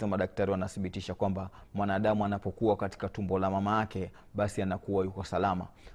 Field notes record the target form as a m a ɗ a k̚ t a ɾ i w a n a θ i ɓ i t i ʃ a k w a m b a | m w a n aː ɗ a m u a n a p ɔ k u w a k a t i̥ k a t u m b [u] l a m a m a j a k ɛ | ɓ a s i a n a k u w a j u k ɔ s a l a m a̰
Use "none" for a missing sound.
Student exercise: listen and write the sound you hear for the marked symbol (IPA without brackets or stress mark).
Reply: ɔ